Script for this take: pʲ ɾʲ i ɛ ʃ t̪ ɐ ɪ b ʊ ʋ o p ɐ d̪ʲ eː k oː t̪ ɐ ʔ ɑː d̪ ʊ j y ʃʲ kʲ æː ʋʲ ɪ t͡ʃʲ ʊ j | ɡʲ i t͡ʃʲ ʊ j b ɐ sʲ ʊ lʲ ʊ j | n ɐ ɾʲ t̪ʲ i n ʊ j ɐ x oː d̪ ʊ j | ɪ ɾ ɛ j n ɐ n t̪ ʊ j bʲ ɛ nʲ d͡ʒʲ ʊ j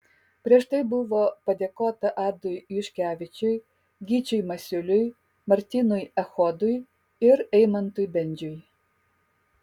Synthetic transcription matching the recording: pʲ ɾʲ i ɛ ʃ t̪ ɐ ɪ b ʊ ʋ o p ɐ d̪ʲ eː k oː t̪ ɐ ʔ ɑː d̪ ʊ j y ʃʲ kʲ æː ʋʲ ɪ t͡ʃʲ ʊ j | ɡʲ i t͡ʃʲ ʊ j m ɐ sʲ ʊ lʲ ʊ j | m ɐ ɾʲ t̪ʲ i n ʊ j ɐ x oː d̪ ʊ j | ɪ ɾ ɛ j m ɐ n t̪ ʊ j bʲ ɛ nʲ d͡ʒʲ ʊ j